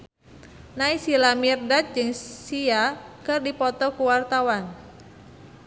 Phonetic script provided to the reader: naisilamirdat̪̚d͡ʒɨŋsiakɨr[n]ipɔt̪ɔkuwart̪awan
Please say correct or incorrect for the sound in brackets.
incorrect